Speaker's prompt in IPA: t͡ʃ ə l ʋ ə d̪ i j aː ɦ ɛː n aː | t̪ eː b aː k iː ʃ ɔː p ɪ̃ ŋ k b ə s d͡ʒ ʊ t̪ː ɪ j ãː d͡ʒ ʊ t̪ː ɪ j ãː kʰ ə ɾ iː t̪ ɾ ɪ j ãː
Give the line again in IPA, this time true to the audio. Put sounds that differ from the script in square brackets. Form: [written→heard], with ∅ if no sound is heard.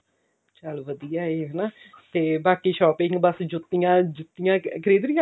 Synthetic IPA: t͡ʃ ə l ʋ ə d̪ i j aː ɦ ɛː n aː | t̪ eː b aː k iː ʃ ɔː p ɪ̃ ŋ [k→ɡ] b ə s d͡ʒ ʊ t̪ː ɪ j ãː d͡ʒ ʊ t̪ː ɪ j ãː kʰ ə ɾ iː [t̪→d̪] ɾ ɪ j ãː